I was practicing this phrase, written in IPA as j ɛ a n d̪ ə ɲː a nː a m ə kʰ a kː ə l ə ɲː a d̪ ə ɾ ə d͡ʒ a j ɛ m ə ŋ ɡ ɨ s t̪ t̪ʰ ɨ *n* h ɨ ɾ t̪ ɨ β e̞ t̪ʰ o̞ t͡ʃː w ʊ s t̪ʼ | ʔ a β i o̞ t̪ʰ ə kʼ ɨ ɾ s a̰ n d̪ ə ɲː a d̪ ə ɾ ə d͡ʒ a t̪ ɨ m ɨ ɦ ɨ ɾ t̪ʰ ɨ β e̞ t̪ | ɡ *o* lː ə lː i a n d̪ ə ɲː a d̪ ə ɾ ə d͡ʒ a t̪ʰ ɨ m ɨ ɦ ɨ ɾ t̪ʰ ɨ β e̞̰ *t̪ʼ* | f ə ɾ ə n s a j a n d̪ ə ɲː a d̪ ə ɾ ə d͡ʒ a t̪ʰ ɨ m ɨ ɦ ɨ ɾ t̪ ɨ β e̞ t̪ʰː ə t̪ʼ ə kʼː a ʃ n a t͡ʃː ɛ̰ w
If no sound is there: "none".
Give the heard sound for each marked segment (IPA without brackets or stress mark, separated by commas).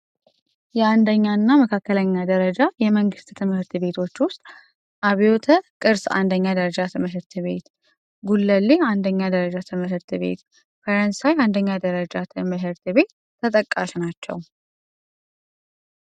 m, u, t̪